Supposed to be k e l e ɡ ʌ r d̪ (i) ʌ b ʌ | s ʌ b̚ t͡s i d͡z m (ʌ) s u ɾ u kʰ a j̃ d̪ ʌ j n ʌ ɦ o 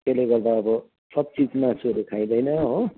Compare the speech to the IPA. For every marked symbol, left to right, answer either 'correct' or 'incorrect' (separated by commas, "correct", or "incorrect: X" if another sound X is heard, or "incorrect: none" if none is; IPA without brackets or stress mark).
incorrect: a, incorrect: a